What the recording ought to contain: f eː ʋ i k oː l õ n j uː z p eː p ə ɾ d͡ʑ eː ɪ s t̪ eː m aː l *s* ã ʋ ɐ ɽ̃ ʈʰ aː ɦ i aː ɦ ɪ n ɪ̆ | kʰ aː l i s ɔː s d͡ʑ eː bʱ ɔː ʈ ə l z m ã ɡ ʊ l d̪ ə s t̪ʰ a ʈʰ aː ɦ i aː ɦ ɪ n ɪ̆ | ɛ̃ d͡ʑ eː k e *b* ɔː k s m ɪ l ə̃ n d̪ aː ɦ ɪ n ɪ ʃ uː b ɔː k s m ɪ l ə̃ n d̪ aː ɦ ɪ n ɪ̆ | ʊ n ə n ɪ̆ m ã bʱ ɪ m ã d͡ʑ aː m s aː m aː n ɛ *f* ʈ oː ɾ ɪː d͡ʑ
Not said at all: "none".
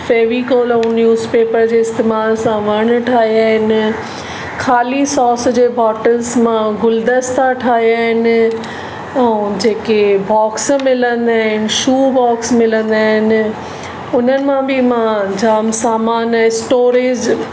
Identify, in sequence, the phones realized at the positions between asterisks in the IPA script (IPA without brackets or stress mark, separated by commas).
s, b, s